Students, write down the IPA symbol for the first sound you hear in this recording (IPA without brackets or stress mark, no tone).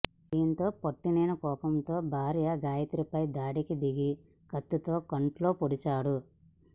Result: d̪